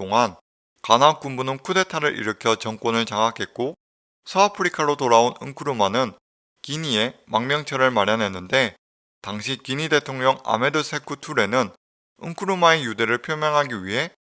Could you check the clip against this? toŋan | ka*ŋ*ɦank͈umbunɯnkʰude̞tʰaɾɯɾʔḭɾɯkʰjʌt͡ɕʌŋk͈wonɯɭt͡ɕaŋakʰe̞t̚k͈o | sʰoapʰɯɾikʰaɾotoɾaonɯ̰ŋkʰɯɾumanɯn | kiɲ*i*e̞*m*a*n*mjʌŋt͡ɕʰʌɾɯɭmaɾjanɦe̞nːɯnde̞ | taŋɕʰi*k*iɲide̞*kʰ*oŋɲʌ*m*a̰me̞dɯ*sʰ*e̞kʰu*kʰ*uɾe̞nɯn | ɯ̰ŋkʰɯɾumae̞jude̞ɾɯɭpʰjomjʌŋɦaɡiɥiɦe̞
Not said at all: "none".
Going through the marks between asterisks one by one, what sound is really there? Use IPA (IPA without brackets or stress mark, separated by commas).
n, i, m, ŋ, k, tʰ, ŋ, sʰ, tʰ